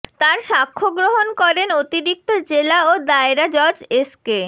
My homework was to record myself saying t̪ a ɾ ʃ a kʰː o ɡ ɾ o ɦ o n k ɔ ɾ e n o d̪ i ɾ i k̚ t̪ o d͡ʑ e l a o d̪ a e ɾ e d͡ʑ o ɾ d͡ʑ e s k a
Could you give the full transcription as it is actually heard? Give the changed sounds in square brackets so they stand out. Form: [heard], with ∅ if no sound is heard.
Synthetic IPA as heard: t̪ a ɾ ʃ a kʰː o ɡ ɾ o ɦ o n k ɔ ɾ e n o [t̪] i ɾ i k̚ t̪ o d͡ʑ e l a o d̪ a e ɾ [a] d͡ʑ [ɔ] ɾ d͡ʑ e s k [e]